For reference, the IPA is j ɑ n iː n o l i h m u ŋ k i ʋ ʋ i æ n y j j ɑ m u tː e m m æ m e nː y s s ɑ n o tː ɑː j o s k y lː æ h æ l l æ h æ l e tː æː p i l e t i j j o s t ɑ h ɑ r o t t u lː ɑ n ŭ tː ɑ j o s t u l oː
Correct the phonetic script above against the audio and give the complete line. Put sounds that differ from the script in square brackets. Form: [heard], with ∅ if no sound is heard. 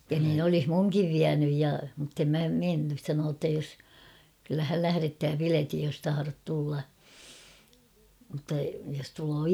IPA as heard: j ɑ n iː n o l i h m u ŋ k i ʋ ʋ i æ n y j j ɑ m u tː e m m æ m e nː y s s ɑ n [oː] tː [ɑ] j o s k y lː æ h æ l l æ h æ [r] e tː æː p i l e t i j j o s t ɑ h ɑ r o t t u lː ɑ [m] ŭ tː ɑ j o s t u l oː

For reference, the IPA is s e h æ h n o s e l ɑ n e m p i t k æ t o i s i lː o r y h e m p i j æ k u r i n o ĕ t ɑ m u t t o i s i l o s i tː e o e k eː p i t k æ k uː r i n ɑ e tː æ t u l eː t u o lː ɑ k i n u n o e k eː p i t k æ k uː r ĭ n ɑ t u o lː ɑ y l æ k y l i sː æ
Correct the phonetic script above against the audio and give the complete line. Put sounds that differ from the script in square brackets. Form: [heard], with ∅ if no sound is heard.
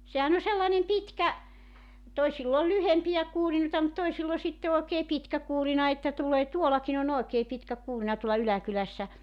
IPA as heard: s e h æ [∅] n o s e [lː] ɑ n e m p i t k æ t o i s i lː o [l] y h e m p i j æ k [uː] r i n o ĕ t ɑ m u t t o i s i [lː] o s i tː e o e k eː p i t k æ k uː r i n ɑ e tː æ t u l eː t u o [l] ɑ k i n [o] n o e k eː p i t k æ k uː r ĭ n ɑ t u o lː ɑ y l æ k y l [æ] sː æ

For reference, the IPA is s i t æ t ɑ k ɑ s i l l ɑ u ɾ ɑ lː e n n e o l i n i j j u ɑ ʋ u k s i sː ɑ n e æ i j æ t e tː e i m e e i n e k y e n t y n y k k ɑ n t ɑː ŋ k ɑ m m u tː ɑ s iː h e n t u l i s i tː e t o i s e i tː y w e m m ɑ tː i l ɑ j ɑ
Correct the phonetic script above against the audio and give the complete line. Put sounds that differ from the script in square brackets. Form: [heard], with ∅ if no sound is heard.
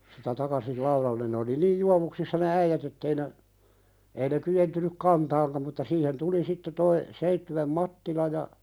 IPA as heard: s i t æ t ɑ k ɑ s i l l ɑ u ɾ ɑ lː e n n e o l i n [iː] j j u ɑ ʋ u k s i sː ɑ n e æ i j æ t e tː e i [n] e e i n e k y e n t y n y k k ɑ n t ɑː ŋ k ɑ m m u tː ɑ s iː h e n t u l i s i tː e t o i s e i tː y w e m m ɑ tː i l ɑ j ɑ

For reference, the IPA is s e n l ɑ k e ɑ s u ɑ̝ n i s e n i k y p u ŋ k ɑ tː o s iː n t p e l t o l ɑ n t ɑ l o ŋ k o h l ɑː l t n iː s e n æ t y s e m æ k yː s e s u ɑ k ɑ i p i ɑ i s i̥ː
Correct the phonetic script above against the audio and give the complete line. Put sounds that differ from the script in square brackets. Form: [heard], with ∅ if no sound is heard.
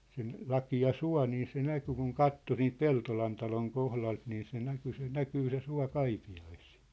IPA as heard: s e n l ɑ k [i] ɑ s u ɑ̝ n [iː] s e n [æ] k y [k] u ŋ k ɑ tː o s iː n t p e l t o l ɑ n t ɑ l o ŋ k o h l [ɑ] l t n iː s e n æ [k] y s e [n] æ k yː s e s u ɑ k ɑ i p i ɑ i s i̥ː

